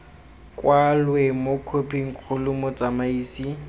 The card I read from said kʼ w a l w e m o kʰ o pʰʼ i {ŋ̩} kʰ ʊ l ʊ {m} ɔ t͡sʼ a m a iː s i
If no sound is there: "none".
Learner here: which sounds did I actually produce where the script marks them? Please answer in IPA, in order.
ŋ̩, m

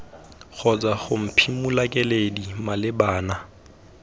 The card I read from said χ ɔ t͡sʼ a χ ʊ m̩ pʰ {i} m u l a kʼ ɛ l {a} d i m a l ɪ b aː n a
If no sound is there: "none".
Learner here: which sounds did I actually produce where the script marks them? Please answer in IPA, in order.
i, e

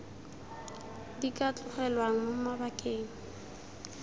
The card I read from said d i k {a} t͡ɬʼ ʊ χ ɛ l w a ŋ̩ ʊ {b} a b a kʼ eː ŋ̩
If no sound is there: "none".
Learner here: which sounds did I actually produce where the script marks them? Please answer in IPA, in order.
a, m

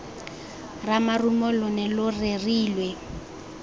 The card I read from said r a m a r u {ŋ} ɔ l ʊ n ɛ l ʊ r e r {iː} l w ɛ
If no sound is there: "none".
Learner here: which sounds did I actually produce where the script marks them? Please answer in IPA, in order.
m, iː

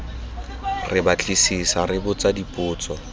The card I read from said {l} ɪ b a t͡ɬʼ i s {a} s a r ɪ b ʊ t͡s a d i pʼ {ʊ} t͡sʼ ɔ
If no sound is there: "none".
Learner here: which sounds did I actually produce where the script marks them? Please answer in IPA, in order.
r, i, ʊː

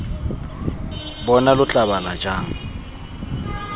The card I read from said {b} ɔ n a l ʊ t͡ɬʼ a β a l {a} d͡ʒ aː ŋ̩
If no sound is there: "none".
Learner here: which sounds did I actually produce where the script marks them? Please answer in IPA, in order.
b, a

